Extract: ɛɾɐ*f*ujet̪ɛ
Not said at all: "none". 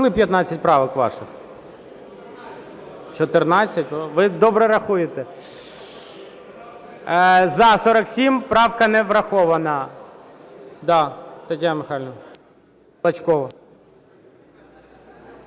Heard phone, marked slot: x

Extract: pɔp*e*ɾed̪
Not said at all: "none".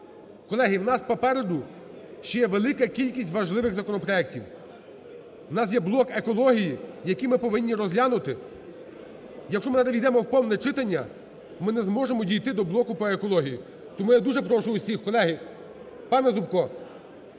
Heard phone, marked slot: ɛ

